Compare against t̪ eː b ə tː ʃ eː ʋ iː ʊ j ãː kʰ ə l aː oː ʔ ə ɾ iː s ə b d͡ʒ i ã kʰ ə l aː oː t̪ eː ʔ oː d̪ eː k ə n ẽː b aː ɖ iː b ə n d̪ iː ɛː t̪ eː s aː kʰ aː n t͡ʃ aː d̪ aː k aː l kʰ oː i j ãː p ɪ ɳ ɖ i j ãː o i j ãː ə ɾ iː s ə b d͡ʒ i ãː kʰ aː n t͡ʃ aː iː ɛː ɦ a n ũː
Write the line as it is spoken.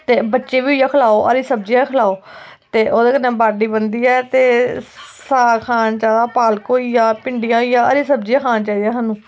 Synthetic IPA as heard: t̪ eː b ə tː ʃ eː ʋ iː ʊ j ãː kʰ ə l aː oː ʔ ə ɾ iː s ə b d͡ʒ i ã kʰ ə l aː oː t̪ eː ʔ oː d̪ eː k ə n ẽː b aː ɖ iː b ə n d̪ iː ɛː t̪ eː s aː kʰ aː n t͡ʃ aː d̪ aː p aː l k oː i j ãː p ɪ ɳ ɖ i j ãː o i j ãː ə ɾ iː s ə b d͡ʒ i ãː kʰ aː n t͡ʃ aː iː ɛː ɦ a n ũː